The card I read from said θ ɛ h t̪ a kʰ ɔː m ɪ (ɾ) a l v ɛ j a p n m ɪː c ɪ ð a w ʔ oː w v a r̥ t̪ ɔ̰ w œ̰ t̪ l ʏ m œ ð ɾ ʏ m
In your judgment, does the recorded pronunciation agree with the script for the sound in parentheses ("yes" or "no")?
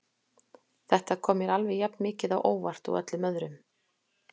yes